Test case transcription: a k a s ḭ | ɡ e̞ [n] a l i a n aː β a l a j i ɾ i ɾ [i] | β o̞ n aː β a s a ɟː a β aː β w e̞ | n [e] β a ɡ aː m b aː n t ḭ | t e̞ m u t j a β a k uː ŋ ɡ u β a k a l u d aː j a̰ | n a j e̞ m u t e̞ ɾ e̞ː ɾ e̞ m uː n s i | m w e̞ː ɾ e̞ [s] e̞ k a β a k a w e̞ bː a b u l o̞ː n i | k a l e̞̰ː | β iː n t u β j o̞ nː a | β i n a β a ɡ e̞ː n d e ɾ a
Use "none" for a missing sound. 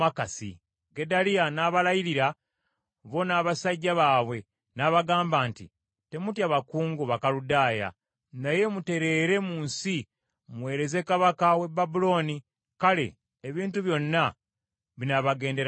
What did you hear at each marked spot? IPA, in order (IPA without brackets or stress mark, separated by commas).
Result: d, a, a, z